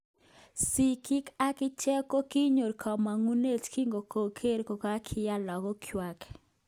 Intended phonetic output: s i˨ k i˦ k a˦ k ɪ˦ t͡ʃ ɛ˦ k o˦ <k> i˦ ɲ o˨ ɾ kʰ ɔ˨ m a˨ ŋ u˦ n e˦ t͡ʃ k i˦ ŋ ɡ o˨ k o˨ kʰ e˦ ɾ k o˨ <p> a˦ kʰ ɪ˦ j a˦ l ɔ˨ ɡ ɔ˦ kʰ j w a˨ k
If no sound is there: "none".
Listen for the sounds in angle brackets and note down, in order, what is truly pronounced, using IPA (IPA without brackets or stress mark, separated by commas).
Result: k, k